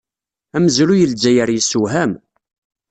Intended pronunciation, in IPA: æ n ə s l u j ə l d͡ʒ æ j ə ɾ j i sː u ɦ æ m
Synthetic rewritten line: æ m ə z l u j ə l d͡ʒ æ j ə ɾ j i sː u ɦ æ m